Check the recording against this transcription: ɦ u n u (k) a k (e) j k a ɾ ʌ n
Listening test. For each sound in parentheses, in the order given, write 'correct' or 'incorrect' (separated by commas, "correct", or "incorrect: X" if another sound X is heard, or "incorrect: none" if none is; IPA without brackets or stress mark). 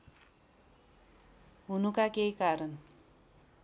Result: correct, correct